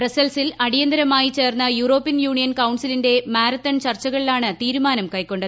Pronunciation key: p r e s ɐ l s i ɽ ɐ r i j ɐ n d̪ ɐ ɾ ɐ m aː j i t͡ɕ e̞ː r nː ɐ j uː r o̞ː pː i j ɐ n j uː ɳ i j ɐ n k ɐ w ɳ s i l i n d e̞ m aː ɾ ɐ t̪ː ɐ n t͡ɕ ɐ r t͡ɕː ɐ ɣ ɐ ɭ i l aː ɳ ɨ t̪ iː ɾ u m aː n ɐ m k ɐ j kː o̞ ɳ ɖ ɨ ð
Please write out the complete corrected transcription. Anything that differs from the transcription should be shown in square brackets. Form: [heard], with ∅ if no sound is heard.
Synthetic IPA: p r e s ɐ l s i [l] ɐ [ɽ] i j ɐ n d̪ ɐ ɾ ɐ m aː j i t͡ɕ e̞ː r nː ɐ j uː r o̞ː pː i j ɐ n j uː ɳ i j ɐ n k ɐ w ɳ s i l i n d e̞ m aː ɾ ɐ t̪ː ɐ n t͡ɕ ɐ r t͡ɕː ɐ ɣ ɐ ɭ i l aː ɳ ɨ t̪ iː ɾ u m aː n ɐ m k ɐ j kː o̞ ɳ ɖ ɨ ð